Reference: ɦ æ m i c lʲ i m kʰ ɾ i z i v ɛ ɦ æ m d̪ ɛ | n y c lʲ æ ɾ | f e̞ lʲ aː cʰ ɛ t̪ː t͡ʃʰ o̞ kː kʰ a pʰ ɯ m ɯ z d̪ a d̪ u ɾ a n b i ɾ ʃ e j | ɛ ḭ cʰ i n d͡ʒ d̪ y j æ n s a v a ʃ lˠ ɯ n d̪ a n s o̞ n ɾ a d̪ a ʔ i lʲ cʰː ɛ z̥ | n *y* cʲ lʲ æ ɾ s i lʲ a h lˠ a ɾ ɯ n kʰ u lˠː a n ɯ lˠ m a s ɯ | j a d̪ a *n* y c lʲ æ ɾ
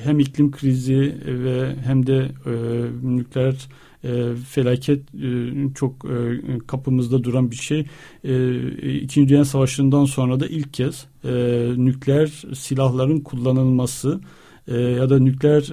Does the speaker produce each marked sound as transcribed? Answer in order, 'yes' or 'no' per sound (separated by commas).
yes, yes